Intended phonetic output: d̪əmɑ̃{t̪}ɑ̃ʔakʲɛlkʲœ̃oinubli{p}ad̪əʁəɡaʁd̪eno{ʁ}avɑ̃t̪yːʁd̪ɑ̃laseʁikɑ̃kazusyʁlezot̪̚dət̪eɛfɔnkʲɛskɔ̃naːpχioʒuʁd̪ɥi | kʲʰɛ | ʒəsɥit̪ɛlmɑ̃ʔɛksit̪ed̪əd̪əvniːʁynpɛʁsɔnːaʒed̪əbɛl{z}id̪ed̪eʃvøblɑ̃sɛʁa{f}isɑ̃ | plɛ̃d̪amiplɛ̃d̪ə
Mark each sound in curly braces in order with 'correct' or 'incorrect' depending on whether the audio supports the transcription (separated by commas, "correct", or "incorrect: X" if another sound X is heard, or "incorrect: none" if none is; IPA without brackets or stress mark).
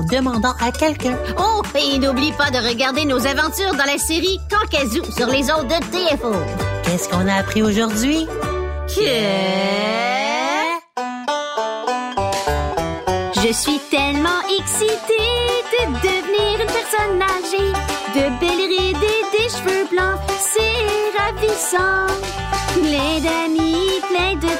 incorrect: d̪, correct, incorrect: z, incorrect: ʁ, incorrect: v